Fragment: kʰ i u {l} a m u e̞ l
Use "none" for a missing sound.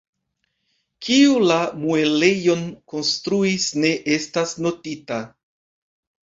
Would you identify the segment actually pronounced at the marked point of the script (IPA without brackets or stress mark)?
l